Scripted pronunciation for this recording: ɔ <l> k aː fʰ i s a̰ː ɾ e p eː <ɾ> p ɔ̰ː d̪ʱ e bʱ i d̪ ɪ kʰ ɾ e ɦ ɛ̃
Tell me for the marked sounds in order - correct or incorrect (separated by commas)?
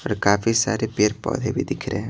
incorrect, correct